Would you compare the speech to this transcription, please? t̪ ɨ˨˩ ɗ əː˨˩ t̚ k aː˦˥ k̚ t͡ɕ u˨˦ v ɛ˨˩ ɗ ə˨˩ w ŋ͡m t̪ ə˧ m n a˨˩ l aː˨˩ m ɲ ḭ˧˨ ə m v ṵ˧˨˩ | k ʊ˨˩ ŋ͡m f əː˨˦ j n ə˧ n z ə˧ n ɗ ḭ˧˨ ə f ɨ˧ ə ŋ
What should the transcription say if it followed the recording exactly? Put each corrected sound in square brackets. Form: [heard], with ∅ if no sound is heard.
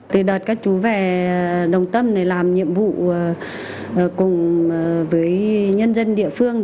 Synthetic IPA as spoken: t̪ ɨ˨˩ ɗ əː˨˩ t̚ k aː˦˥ k̚ t͡ɕ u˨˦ v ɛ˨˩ ɗ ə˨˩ w ŋ͡m t̪ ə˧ m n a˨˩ l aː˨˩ m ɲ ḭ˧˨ ə m v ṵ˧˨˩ | k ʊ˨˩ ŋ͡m [v] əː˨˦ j [ɲ] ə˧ n z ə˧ n ɗ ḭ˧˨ ə f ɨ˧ ə ŋ